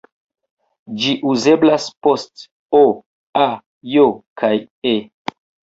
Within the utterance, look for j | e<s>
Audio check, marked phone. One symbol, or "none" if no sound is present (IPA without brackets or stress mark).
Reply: none